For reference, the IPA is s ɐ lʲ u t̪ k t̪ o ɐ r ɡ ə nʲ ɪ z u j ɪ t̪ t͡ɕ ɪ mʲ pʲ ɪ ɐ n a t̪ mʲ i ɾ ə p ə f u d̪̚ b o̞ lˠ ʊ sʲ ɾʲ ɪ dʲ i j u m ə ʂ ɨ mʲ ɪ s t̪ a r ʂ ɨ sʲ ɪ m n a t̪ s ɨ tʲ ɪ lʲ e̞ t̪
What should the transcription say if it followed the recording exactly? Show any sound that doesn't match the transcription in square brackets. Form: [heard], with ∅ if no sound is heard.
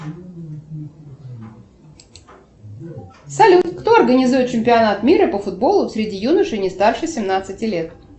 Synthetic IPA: s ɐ lʲ u t̪ k t̪ o ɐ r ɡ ə nʲ ɪ z u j ɪ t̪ t͡ɕ ɪ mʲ pʲ ɪ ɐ n a t̪ mʲ i ɾ ə p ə f [ʊ] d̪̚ b o̞ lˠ ʊ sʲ ɾʲ ɪ dʲ i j u [n] ə ʂ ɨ [nʲ] ɪ s t̪ a r ʂ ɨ sʲ ɪ m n a t̪ s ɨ tʲ ɪ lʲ e̞ t̪